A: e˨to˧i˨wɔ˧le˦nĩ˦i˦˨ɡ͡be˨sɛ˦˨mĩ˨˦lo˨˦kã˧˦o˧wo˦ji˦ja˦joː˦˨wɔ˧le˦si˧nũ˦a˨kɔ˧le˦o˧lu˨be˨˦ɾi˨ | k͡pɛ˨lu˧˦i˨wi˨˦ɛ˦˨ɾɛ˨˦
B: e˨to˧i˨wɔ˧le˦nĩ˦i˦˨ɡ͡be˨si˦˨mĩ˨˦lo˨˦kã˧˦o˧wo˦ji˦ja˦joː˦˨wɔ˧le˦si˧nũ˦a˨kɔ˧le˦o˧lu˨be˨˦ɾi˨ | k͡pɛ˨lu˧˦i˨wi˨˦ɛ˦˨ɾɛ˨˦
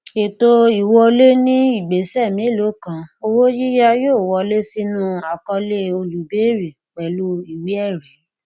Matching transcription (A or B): A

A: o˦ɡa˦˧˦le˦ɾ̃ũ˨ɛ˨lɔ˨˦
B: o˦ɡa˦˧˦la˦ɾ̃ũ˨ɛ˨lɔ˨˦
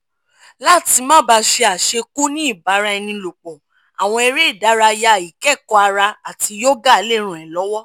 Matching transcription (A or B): A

